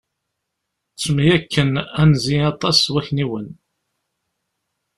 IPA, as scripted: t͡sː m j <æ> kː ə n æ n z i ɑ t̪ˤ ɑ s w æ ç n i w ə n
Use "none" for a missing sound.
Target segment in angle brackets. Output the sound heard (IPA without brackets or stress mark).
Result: æ